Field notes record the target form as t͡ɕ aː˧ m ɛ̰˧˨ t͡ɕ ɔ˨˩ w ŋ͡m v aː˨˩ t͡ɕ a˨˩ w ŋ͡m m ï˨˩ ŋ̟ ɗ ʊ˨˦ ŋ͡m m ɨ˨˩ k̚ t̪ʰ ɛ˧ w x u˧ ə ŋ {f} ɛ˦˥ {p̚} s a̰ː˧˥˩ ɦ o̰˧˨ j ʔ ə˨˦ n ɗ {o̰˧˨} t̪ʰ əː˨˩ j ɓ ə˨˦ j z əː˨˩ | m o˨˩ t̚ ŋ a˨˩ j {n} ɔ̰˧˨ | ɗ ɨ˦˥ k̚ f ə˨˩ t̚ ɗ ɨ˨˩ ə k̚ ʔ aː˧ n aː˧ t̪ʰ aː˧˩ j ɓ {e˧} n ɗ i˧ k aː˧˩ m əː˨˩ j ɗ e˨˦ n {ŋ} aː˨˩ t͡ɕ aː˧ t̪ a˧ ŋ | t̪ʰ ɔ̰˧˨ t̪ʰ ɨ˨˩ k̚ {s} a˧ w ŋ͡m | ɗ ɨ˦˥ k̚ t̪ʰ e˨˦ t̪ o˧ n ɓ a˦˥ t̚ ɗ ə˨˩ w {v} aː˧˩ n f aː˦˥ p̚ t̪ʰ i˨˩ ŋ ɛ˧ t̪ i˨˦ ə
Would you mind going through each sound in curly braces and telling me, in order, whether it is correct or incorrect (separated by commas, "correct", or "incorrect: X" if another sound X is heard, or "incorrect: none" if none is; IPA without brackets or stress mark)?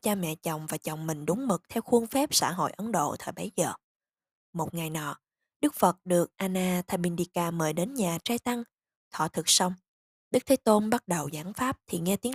correct, correct, correct, correct, incorrect: i˧, incorrect: ɲ, correct, incorrect: z